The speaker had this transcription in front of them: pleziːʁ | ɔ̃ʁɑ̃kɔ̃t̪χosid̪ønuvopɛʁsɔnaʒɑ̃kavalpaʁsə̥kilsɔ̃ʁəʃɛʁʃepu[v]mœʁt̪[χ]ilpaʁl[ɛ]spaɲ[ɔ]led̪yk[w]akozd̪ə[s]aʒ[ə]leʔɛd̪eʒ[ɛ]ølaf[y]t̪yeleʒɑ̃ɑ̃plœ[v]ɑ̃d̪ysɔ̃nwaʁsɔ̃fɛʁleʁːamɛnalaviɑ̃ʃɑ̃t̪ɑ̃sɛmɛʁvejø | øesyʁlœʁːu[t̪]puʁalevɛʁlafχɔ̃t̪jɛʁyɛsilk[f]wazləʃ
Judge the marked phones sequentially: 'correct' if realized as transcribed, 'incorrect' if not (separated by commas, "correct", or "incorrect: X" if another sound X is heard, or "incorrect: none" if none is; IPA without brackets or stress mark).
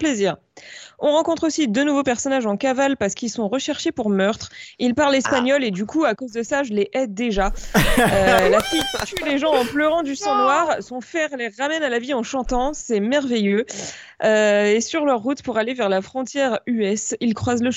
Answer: incorrect: ʁ, correct, correct, correct, incorrect: u, correct, correct, incorrect: a, incorrect: i, incorrect: ʁ, correct, incorrect: χ